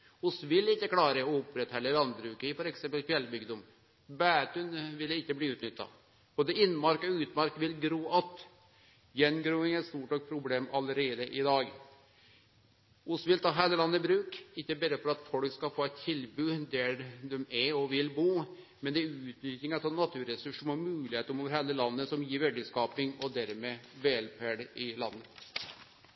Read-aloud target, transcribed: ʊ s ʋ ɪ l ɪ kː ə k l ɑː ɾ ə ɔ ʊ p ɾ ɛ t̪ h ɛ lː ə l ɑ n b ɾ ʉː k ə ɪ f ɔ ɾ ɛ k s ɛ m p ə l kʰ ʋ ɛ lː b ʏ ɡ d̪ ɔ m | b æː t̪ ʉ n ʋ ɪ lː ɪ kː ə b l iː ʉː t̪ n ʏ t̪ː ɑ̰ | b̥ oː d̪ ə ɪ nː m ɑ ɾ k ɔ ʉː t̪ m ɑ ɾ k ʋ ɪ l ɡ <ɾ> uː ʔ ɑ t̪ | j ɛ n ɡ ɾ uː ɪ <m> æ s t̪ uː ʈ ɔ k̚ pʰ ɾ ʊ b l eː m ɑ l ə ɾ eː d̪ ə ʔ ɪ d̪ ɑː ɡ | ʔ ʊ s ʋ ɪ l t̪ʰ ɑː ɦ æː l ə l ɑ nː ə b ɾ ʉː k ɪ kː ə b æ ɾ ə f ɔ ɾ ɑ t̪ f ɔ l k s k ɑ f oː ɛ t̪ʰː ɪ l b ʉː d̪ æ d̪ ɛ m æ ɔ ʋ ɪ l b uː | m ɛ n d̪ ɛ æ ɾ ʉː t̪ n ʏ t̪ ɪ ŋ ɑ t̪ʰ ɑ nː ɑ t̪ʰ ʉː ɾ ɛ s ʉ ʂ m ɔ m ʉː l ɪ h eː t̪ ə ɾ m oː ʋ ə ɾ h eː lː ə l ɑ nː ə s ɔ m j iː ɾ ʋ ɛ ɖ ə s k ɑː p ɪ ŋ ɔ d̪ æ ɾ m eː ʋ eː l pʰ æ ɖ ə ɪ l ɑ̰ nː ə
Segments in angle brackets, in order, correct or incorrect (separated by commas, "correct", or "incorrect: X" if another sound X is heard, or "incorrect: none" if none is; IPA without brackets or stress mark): correct, incorrect: ŋ